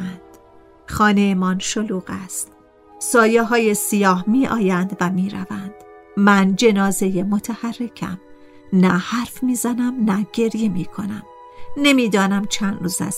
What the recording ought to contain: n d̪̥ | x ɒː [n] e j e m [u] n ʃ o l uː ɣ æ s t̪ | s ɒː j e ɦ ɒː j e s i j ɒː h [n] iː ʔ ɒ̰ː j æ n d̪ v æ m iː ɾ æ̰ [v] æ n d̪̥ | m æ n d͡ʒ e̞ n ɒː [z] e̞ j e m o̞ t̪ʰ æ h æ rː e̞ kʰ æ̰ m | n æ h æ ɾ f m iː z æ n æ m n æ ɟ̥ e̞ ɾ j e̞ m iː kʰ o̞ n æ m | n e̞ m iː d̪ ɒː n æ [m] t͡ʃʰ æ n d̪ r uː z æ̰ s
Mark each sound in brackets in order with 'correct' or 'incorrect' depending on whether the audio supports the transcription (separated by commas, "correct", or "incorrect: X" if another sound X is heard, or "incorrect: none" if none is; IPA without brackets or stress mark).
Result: correct, incorrect: ɒ, incorrect: m, correct, correct, correct